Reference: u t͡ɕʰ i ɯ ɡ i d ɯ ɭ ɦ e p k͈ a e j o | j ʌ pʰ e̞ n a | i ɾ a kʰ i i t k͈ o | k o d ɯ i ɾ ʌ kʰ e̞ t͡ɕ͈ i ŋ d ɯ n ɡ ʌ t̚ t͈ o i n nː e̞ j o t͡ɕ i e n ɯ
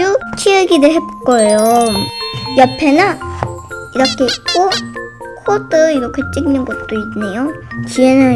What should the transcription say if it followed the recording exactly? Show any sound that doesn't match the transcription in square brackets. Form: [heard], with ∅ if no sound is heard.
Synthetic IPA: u t͡ɕʰ i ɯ ɡ i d ɯ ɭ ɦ e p k͈ [ʌ] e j o | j ʌ pʰ e̞ n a | i ɾ [ʌ] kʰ [e] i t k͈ o | [kʰ] o d ɯ i ɾ ʌ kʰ e̞ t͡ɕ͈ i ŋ [n] ɯ n ɡ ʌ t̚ t͈ o i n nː e̞ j o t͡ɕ i e n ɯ